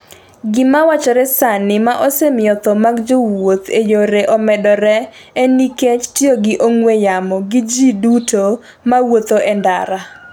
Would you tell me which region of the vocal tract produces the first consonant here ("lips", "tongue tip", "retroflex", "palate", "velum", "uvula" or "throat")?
velum